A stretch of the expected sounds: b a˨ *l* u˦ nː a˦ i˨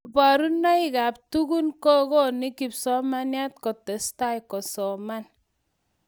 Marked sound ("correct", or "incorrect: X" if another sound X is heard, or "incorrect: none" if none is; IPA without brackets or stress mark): incorrect: ɾ